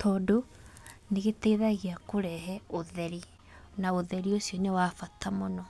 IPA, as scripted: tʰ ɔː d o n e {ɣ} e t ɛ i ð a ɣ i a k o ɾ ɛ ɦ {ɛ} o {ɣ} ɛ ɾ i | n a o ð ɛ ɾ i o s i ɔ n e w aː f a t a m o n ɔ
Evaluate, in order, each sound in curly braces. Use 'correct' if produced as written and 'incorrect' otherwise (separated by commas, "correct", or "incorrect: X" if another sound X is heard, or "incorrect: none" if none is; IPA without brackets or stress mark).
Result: correct, correct, incorrect: ð